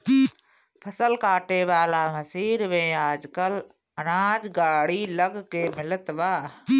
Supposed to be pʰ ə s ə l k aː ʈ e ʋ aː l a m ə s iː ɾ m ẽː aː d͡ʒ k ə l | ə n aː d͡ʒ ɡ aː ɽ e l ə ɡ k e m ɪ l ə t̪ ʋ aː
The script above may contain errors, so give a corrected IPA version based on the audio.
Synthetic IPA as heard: pʰ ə s ə l k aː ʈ e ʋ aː l a m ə s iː ɾ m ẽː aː d͡ʒ k ə l | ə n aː d͡ʒ ɡ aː ɽ i l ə ɡ k e m ɪ l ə t̪ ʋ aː